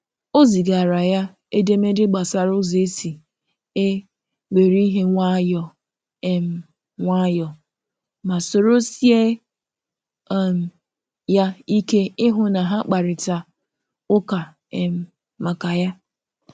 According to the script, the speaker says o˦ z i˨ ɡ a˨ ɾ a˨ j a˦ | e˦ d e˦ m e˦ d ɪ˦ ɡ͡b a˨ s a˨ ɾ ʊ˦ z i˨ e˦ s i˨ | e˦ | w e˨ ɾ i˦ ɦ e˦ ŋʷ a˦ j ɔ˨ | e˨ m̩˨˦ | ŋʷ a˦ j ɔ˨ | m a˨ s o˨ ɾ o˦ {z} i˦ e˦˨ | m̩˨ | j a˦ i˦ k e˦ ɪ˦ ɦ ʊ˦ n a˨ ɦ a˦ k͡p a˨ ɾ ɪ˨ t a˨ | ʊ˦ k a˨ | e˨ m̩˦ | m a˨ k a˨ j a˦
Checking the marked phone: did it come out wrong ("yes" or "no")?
yes